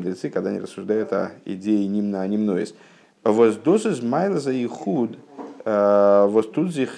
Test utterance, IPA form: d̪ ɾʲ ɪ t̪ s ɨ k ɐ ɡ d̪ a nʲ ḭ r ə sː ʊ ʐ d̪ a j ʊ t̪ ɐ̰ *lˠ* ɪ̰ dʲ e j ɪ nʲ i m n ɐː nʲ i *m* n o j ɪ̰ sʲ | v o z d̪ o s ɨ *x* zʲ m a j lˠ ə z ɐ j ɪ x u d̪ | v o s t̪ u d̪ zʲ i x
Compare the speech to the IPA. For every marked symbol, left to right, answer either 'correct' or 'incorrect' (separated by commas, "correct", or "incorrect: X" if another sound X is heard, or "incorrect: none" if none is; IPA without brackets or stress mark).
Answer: incorrect: none, correct, incorrect: none